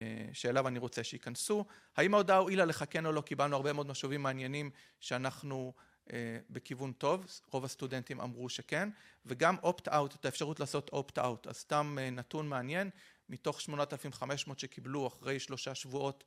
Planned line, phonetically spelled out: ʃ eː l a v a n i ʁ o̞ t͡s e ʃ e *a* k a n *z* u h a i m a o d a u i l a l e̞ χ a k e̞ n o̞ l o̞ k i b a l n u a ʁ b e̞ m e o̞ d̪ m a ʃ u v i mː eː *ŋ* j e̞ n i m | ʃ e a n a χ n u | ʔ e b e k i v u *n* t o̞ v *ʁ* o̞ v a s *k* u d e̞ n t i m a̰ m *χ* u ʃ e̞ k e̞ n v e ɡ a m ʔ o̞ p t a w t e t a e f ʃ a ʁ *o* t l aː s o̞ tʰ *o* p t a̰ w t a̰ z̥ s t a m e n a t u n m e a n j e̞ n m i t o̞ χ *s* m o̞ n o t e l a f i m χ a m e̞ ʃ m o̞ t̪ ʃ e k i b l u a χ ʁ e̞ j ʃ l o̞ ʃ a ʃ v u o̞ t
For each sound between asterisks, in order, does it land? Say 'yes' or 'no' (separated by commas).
no, no, no, yes, yes, no, no, no, yes, no